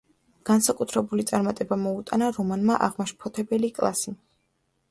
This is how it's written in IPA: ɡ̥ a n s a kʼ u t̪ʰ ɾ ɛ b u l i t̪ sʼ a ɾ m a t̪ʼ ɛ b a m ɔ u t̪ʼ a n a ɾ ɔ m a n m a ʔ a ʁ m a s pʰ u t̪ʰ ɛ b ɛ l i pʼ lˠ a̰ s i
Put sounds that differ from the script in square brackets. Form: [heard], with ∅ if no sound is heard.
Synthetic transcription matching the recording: ɡ̥ a n s a kʼ u t̪ʰ ɾ ɛ b u l i t̪ sʼ a ɾ m a t̪ʼ ɛ b a m ɔ u t̪ʼ a n a ɾ ɔ m a n m a ʔ a ʁ m a [ʃ] pʰ [ɔ] t̪ʰ ɛ b ɛ l i [kʼ] lˠ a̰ s i